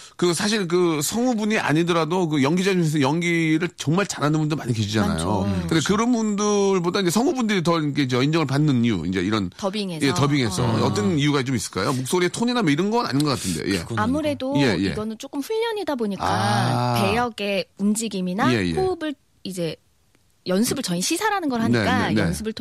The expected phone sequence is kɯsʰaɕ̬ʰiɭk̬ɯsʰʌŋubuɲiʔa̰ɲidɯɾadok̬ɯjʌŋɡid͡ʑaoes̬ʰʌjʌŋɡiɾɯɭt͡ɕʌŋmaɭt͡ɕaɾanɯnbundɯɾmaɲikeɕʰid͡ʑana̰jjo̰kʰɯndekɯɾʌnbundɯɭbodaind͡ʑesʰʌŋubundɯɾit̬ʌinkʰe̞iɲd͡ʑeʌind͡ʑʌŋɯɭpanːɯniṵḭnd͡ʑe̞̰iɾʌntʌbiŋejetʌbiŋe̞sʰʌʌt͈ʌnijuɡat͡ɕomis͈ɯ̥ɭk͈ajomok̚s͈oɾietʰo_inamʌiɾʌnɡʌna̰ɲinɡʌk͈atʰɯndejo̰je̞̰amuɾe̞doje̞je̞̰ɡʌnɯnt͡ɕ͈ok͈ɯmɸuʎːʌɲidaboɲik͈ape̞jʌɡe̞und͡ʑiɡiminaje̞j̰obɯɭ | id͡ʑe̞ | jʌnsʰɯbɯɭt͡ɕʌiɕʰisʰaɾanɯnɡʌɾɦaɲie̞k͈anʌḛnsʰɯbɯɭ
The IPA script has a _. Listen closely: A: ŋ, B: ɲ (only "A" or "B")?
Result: B